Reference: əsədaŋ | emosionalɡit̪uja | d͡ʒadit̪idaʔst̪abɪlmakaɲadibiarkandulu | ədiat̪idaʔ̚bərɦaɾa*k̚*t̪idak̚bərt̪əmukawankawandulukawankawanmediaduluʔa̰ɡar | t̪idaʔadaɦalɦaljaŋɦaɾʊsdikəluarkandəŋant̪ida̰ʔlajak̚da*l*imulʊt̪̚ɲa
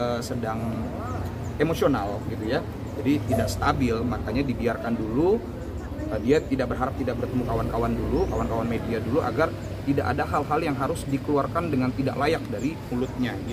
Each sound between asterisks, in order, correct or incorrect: incorrect: p̚, incorrect: ɾ

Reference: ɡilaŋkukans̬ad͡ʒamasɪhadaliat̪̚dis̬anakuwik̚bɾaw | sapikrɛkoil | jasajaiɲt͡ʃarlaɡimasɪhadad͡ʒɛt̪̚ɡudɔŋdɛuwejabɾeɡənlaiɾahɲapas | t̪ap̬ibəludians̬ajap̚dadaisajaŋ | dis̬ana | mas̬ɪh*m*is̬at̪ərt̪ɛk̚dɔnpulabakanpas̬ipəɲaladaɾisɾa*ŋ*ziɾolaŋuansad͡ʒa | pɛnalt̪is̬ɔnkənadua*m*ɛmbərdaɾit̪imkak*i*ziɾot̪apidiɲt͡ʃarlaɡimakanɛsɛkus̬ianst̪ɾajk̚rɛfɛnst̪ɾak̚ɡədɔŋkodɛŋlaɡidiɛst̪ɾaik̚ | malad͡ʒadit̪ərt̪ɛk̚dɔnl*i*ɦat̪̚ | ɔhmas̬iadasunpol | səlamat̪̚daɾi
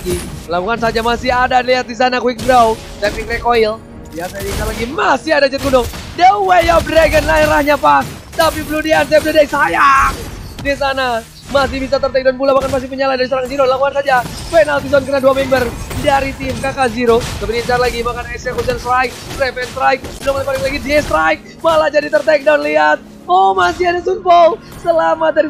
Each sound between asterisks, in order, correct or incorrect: incorrect: b, correct, correct, incorrect: a, correct

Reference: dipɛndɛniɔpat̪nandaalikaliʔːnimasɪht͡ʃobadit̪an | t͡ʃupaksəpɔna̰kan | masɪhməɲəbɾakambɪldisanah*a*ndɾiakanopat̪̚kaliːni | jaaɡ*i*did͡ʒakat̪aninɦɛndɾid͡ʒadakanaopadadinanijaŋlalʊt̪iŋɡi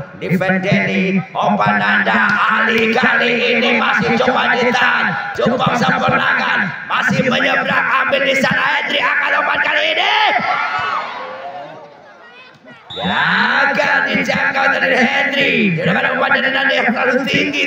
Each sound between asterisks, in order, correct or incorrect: incorrect: ɛ, incorrect: a

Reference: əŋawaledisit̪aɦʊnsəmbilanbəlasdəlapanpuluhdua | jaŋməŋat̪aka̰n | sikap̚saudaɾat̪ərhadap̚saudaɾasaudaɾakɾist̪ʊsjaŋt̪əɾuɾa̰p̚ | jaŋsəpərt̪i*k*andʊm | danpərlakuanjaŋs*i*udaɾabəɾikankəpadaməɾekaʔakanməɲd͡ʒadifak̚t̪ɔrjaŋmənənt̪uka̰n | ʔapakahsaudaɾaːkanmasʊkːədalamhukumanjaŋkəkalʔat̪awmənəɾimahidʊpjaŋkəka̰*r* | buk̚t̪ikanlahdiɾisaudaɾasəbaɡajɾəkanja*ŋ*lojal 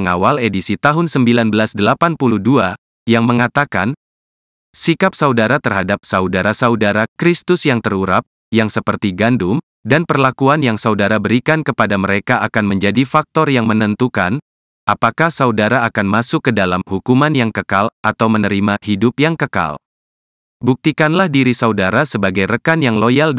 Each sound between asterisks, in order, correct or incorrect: incorrect: ɡ, incorrect: a, incorrect: l, correct

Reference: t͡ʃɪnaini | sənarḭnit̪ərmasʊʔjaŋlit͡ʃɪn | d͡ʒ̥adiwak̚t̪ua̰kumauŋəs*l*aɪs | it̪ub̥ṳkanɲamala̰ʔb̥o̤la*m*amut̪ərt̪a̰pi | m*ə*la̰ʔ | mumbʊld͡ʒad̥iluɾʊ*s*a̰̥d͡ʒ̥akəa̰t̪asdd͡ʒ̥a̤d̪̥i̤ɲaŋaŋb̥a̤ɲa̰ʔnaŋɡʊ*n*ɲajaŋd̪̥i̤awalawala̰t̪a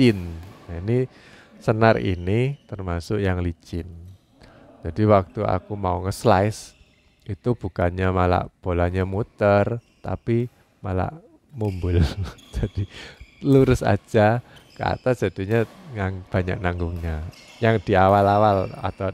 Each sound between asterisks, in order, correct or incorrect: correct, incorrect: ɲ, incorrect: a, correct, incorrect: ŋ

